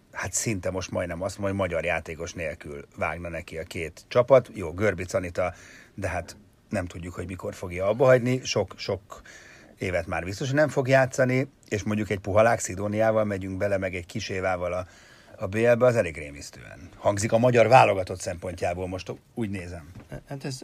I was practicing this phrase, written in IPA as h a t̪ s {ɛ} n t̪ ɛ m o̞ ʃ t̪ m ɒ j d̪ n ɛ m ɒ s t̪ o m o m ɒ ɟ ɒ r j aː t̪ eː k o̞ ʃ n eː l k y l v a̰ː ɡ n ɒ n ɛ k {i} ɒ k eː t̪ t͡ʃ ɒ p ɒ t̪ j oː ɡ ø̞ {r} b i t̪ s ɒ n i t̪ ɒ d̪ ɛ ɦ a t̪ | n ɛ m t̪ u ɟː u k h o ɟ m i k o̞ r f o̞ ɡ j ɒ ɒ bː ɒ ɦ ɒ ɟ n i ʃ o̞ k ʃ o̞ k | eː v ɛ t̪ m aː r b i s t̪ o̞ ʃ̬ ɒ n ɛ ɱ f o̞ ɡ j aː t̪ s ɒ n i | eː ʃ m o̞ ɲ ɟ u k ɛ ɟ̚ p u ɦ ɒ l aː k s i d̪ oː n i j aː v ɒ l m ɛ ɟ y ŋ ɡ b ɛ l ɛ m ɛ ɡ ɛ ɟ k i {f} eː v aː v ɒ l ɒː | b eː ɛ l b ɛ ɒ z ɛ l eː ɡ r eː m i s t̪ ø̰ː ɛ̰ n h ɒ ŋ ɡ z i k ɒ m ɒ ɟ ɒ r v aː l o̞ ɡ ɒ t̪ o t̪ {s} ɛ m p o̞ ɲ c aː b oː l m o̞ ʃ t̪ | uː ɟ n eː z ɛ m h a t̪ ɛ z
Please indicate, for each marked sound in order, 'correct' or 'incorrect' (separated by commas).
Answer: incorrect, correct, correct, incorrect, correct